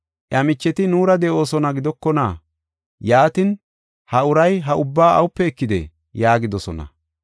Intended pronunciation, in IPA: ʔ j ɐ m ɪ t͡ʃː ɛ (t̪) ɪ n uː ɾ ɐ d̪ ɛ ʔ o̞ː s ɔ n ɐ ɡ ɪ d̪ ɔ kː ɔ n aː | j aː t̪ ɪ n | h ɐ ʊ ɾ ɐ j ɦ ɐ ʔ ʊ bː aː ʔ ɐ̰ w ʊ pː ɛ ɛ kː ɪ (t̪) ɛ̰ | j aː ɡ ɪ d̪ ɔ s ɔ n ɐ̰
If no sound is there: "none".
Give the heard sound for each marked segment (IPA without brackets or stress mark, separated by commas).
t̪, d̪